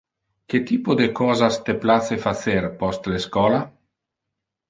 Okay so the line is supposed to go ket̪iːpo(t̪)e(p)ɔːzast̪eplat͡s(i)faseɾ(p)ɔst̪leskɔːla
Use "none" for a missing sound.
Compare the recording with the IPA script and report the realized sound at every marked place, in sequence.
d̪, k, e, p

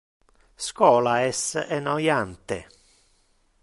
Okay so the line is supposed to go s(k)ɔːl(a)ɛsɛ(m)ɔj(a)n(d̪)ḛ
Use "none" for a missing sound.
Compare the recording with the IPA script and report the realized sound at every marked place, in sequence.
k, a, n, a, t̪

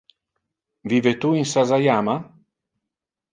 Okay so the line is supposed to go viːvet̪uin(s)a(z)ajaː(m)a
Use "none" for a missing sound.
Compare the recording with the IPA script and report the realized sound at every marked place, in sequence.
s, z, m

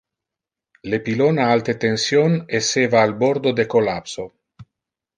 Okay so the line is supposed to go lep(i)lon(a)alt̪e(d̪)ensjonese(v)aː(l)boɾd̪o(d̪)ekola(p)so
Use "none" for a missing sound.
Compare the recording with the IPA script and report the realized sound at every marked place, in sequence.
i, a, t̪, v, l, d̪, p

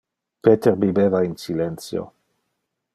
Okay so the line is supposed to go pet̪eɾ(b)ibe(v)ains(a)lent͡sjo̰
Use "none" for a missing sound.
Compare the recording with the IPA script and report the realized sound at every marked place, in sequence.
b, v, i

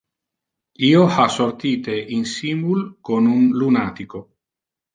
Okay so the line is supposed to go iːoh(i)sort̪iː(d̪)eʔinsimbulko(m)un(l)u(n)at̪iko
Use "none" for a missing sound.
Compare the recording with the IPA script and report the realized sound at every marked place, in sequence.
a, t̪, n, l, n

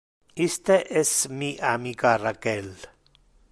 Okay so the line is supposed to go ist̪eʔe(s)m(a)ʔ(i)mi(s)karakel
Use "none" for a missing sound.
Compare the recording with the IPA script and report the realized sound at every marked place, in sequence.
s, i, a, none

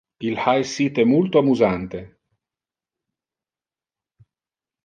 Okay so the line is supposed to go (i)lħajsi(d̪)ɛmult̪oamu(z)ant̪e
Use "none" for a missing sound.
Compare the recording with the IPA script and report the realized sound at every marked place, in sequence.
i, t̪, z

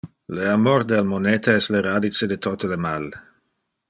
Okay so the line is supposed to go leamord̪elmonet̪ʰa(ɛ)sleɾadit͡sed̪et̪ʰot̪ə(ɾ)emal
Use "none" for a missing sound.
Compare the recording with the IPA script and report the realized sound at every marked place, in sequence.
ɛ, l

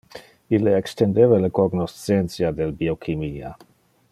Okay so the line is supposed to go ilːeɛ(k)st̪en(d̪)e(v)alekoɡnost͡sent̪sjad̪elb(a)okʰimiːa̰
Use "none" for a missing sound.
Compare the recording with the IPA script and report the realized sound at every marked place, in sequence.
k, d̪, v, i

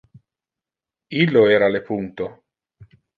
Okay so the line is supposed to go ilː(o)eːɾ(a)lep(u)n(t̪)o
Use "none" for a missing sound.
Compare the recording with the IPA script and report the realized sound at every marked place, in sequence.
o, a, u, t̪

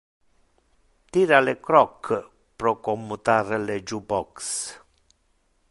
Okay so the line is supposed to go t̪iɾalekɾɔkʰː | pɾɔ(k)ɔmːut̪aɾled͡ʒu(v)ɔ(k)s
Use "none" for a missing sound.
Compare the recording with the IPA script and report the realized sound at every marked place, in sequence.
k, b, k

